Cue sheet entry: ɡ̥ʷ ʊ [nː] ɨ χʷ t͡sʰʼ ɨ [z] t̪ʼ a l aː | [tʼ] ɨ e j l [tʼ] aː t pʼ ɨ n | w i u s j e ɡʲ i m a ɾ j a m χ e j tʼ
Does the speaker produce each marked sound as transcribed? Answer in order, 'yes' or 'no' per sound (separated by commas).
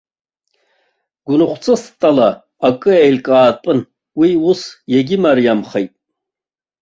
no, no, no, no